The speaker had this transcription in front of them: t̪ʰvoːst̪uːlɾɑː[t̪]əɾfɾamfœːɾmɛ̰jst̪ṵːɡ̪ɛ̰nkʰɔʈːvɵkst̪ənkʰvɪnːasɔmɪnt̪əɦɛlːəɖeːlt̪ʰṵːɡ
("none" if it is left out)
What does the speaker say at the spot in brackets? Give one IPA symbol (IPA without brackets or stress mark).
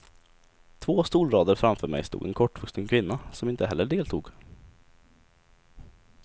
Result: d̪